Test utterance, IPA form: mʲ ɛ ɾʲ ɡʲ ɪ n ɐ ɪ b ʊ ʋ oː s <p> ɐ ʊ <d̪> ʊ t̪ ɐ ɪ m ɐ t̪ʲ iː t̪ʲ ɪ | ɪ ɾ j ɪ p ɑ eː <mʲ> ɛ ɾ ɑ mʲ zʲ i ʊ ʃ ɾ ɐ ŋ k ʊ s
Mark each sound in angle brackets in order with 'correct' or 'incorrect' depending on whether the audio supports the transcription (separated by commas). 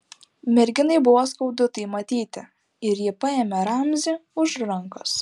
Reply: incorrect, correct, correct